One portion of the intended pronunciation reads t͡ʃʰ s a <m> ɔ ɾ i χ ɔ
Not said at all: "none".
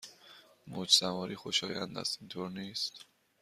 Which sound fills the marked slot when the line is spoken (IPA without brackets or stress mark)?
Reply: m